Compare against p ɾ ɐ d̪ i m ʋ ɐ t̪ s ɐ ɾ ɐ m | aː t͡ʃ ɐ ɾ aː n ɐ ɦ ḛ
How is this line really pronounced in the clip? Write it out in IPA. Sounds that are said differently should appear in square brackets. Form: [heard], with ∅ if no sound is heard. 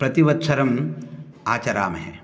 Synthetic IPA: p ɾ ɐ [t̪] i [∅] ʋ ɐ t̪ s ɐ ɾ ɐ m | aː t͡ʃ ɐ ɾ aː [m] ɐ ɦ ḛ